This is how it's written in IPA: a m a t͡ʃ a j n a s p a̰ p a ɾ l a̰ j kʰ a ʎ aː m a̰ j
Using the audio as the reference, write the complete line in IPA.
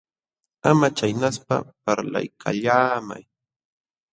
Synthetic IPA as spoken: a m a t͡ʃ a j n a s p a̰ p a ɾ l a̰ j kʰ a ʎ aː m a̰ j